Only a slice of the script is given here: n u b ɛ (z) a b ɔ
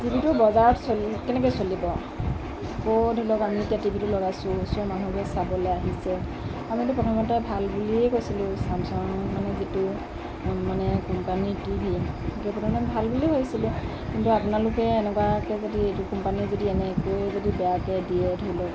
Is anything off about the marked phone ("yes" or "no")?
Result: yes